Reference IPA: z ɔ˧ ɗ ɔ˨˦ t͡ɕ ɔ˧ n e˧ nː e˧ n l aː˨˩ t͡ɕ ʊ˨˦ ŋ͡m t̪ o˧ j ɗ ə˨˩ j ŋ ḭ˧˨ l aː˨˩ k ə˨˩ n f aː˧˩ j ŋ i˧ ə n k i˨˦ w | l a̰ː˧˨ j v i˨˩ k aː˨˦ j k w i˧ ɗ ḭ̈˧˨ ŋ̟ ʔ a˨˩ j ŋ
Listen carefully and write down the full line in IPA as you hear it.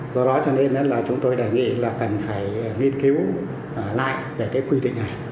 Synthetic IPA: z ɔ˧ ɗ ɔ˨˦ t͡ɕ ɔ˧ n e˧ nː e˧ n l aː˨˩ t͡ɕ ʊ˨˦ ŋ͡m t̪ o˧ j ɗ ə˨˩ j ŋ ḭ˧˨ l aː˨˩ k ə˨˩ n f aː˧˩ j ŋ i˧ ə n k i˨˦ w | l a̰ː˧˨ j v e˨˩ k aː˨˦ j k w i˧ ɗ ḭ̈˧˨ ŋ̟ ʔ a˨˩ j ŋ